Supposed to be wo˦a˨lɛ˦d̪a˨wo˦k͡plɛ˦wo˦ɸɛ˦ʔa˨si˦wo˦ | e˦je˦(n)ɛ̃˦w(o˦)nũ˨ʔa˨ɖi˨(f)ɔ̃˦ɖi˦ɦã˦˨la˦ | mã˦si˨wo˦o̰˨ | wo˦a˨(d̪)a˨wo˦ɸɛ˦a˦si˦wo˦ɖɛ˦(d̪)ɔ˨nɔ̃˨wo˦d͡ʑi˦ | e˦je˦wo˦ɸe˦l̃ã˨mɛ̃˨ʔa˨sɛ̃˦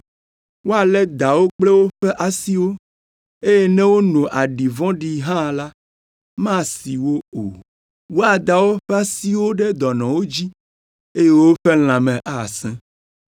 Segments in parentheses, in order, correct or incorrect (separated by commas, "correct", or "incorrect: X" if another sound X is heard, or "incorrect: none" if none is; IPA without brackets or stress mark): correct, correct, incorrect: v, correct, correct